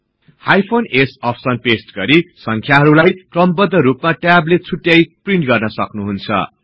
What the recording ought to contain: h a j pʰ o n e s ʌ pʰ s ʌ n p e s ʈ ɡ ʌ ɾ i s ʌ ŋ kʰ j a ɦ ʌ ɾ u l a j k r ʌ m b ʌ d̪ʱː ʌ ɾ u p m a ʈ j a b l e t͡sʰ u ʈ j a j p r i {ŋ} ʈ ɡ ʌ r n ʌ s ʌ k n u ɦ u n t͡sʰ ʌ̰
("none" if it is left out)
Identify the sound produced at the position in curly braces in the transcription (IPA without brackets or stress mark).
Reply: ɳ